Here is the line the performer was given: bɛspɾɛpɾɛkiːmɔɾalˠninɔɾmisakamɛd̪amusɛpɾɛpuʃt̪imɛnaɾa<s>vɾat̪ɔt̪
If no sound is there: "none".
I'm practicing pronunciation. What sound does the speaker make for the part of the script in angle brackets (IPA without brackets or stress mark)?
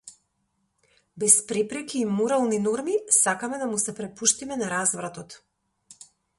z